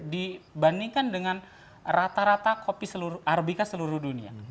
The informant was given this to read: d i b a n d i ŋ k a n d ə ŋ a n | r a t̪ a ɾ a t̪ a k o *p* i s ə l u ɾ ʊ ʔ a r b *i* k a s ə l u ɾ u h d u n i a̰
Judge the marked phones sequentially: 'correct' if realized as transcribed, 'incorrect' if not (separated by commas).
correct, correct